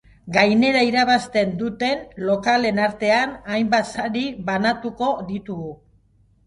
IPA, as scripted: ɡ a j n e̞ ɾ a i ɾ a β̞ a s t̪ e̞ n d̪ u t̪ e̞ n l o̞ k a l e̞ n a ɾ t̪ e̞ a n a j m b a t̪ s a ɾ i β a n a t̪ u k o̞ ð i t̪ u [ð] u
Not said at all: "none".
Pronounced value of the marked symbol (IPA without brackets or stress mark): ɣ